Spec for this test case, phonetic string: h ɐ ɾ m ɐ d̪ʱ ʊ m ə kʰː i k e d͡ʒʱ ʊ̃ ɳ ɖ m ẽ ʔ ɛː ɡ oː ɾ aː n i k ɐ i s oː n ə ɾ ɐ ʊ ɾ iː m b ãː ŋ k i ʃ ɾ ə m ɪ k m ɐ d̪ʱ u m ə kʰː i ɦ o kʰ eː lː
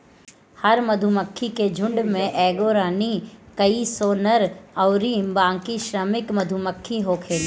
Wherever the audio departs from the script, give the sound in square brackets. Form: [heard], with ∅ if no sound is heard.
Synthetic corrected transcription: h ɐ ɾ m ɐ d̪ʱ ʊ m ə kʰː i k e d͡ʒʱ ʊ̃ ɳ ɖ m ẽ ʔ ɛː ɡ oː ɾ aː n i k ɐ i s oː n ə ɾ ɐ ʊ ɾ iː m b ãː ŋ k i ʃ ɾ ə m ɪ k m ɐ d̪ʱ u m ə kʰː i ɦ o kʰ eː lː